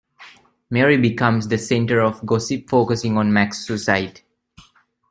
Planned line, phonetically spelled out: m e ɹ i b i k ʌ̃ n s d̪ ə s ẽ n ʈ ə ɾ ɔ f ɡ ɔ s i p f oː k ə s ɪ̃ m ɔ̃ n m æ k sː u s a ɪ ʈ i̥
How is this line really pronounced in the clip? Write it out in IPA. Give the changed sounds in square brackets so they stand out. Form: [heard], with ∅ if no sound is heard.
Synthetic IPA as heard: m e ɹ i b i k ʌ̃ [m] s d̪ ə s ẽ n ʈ ə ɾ ɔ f ɡ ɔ s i p f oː k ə s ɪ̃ [ŋ] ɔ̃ n m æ k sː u s a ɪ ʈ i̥